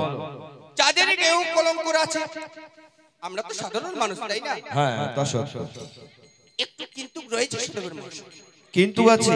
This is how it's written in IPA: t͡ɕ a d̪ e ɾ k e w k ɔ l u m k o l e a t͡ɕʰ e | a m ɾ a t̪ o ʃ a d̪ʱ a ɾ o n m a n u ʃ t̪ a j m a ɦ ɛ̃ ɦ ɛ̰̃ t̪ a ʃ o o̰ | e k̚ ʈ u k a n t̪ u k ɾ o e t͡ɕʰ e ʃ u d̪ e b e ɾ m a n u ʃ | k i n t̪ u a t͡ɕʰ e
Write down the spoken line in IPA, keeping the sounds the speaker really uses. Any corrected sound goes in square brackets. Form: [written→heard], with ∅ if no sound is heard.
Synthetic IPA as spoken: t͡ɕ a d̪ e ɾ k e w k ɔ l [u→o] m k o [l→ɾ] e a t͡ɕʰ e | a m ɾ a t̪ o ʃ a d̪ʱ a ɾ o n m a n u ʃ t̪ a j [m→n] a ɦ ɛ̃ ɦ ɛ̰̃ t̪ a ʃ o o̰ | e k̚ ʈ u k [a→i] n t̪ u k ɾ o e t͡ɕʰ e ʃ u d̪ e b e ɾ m a n u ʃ | k i n t̪ u a t͡ɕʰ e

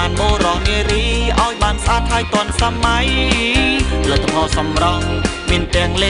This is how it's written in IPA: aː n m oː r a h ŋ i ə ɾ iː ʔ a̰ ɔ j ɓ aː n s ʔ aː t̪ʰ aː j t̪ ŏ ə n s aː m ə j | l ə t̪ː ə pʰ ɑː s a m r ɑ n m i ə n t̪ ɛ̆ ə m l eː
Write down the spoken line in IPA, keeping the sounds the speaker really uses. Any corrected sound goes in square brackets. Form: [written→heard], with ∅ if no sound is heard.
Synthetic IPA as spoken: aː n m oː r [a→ɑ] h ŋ i ə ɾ iː ʔ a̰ ɔ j ɓ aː n s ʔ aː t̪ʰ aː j t̪ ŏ ə n s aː m [ə→a] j | l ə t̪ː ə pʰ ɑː s [a→ɑ] m r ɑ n m i ə n t̪ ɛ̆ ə [m→ŋ] l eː

